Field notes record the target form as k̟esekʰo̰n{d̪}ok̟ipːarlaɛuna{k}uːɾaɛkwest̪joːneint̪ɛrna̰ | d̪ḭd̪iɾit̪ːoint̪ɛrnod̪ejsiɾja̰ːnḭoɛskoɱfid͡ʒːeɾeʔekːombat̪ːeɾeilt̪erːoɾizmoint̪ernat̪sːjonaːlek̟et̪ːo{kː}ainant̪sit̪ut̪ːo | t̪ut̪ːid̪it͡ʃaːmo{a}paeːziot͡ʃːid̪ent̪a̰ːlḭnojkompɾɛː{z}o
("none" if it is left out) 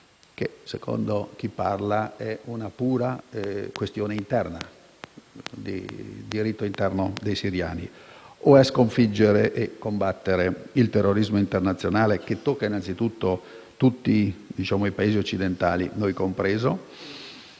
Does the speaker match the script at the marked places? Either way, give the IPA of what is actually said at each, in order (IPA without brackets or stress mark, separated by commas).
d̪, p, kː, i, z